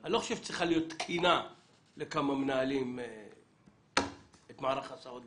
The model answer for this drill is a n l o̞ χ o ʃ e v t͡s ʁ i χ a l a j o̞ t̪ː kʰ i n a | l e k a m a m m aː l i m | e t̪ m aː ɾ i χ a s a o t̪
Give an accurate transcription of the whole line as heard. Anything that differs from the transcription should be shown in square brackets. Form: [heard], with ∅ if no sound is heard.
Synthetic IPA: a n l o̞ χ o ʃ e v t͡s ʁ i χ a l [i] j o̞ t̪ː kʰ i n a | l e k a m a m [n] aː l i m | e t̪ m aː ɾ [a] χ a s a o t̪